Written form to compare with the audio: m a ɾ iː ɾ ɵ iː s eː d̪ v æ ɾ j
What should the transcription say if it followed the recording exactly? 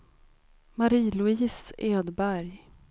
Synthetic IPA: m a ɾ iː l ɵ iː s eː d̪ b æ ɾ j